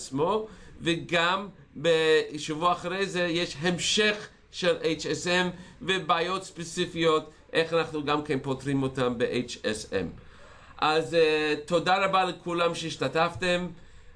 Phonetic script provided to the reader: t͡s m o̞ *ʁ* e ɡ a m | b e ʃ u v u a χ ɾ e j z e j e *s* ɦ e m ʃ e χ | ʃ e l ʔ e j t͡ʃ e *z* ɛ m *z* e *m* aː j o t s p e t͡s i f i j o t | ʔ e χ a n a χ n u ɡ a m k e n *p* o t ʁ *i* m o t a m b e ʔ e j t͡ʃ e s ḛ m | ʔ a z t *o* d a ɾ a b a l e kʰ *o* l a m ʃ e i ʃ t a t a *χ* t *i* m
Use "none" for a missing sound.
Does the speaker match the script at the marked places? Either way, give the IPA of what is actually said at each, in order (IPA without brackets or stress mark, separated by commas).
v, ʃ, s, v, b, p, i, o, u, f, e